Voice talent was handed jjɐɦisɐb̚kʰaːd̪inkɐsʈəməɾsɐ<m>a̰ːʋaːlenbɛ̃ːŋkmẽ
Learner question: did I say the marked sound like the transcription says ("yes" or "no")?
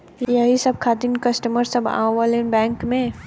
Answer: no